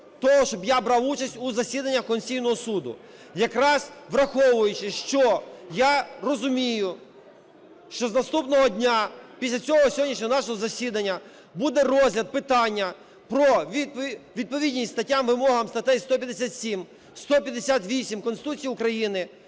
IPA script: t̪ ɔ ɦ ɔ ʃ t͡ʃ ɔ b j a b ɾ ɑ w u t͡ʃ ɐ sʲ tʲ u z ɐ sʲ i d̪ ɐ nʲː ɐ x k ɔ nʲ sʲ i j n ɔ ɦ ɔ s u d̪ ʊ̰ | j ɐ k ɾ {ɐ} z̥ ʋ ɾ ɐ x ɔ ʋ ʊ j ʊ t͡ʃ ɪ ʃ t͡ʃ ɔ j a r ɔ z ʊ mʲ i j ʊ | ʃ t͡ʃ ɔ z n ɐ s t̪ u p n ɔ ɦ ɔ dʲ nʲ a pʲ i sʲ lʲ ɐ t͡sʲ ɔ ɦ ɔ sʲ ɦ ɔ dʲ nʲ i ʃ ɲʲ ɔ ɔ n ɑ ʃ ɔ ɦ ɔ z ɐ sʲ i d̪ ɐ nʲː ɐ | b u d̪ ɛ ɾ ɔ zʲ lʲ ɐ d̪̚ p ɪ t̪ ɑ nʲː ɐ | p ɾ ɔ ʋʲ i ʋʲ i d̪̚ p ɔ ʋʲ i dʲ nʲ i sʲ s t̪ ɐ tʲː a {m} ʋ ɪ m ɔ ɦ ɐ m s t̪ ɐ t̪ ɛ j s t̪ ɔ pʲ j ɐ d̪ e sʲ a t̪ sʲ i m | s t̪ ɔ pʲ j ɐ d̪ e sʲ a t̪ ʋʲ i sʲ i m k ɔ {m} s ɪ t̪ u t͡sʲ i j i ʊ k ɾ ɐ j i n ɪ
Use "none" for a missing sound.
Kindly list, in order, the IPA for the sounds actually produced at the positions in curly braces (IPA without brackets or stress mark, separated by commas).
ɑ, m, n